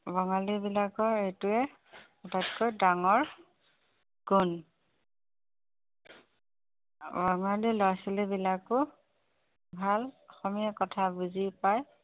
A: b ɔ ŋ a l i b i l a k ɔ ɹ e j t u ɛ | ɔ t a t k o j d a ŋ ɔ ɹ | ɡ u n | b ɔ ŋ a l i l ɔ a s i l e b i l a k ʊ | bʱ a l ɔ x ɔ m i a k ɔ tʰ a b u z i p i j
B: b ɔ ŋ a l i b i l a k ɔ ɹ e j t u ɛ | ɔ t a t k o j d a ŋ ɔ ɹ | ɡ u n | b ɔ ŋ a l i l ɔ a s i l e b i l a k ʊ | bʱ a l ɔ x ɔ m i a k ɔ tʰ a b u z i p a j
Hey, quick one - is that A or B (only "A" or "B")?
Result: B